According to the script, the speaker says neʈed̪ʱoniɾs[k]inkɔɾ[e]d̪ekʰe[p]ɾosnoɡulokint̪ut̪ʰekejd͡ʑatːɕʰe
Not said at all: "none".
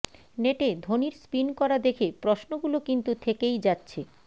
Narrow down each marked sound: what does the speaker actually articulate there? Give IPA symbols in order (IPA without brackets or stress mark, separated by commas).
p, a, p